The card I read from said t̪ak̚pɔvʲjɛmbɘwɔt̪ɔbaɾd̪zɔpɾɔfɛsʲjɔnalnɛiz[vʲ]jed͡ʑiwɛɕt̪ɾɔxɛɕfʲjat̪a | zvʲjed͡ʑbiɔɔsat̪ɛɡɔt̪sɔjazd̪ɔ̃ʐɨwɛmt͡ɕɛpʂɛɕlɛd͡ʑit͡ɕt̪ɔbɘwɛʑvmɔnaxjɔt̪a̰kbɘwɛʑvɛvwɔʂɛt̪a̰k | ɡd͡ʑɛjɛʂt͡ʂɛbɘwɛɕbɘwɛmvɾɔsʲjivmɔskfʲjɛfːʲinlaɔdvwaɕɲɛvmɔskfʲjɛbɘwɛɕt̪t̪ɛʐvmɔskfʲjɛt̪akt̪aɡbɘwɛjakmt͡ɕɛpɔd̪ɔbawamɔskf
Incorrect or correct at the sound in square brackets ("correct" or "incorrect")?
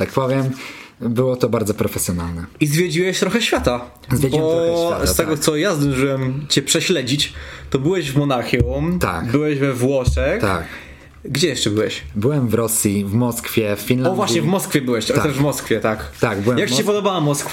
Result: correct